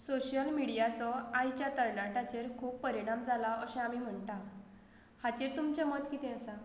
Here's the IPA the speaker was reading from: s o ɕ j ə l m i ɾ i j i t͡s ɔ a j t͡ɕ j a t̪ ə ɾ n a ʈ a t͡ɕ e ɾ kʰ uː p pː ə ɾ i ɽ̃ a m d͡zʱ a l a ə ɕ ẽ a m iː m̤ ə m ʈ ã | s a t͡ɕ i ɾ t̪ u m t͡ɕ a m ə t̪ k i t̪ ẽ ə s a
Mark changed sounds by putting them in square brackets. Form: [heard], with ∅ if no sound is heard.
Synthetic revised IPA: s o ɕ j ə l m i [ɽ] i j [a] t͡s ɔ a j t͡ɕ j a t̪ ə ɾ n a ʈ a t͡ɕ e ɾ kʰ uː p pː ə ɾ i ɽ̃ a m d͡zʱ a l a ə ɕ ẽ a m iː m̤ ə [ɳ] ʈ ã | [h] a t͡ɕ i ɾ t̪ u m t͡ɕ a m ə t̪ k i t̪ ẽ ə s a